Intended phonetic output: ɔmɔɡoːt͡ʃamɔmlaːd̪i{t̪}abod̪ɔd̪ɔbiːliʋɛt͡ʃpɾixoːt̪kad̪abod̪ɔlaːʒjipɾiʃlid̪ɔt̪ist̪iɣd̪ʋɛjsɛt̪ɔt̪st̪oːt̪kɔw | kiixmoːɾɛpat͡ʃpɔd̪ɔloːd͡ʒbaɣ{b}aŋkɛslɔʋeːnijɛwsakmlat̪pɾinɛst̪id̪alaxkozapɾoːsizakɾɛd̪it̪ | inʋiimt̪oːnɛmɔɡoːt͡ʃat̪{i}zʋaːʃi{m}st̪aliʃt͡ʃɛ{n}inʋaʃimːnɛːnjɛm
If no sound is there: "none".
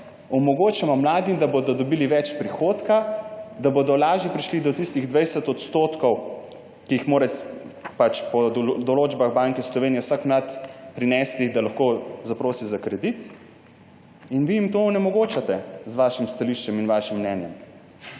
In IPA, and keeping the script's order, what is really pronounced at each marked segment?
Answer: d̪, b, ɛ, m, m

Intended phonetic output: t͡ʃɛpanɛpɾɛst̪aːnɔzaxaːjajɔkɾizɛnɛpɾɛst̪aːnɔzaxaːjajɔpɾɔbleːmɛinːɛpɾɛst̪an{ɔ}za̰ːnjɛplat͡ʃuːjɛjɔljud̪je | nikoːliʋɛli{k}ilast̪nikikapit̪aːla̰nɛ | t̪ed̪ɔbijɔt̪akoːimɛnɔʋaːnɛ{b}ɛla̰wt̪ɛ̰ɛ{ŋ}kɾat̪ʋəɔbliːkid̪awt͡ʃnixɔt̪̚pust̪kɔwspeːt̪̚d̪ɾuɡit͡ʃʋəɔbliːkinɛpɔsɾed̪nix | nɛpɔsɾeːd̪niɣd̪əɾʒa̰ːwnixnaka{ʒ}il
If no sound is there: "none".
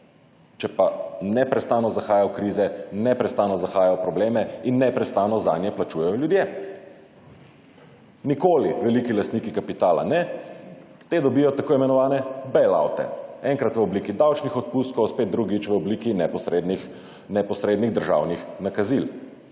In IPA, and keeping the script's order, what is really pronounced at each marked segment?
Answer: ɔ, k, b, ŋ, z

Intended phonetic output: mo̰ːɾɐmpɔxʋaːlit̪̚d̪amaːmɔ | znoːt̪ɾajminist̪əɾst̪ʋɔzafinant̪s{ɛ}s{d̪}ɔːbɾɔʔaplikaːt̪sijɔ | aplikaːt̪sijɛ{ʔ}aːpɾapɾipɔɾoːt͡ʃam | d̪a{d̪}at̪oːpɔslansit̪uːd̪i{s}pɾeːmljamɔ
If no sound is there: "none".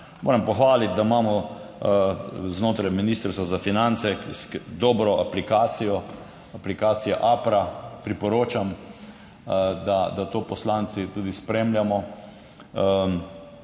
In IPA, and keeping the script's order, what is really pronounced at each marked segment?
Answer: ɛ, d̪, ʔ, d̪, s

